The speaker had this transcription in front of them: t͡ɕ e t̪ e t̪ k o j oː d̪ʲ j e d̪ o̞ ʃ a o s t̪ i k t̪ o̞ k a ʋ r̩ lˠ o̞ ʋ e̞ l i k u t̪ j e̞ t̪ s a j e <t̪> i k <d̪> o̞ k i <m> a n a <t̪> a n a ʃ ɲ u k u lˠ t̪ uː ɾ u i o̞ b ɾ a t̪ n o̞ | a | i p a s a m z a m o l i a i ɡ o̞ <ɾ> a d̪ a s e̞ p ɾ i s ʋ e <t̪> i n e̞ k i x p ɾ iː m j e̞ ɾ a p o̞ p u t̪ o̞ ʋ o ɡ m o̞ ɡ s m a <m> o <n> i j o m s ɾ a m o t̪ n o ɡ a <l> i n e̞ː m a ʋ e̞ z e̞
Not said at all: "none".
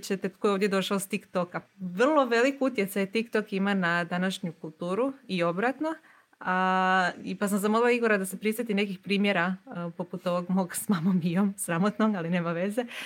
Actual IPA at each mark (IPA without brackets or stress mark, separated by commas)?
t̪, t̪, m, d̪, ɾ, t̪, m, m, l